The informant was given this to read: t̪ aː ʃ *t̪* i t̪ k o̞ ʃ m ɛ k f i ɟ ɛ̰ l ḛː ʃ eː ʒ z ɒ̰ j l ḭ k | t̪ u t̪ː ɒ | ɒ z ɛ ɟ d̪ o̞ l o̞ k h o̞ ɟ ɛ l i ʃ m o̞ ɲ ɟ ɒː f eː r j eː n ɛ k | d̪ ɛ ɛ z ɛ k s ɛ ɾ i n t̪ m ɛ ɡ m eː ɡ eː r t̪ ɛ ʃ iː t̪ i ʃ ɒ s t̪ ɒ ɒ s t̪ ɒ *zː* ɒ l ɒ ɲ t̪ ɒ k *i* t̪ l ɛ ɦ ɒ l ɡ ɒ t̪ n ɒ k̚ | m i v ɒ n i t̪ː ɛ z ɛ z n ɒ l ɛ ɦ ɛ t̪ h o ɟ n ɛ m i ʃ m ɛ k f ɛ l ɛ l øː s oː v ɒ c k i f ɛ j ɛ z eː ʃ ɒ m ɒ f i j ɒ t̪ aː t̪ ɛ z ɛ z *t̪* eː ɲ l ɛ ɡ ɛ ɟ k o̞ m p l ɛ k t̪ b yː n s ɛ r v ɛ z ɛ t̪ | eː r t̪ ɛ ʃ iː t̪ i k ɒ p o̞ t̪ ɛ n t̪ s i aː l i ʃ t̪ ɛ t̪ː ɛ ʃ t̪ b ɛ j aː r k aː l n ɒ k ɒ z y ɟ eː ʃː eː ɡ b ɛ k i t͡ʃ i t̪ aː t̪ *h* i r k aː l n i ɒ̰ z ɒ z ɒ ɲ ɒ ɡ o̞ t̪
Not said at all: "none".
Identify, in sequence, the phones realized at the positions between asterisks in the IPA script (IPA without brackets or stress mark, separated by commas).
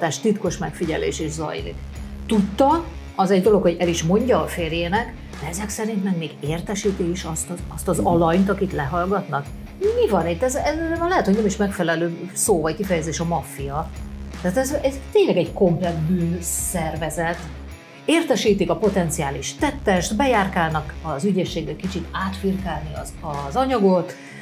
t̪, z, i, t̪, f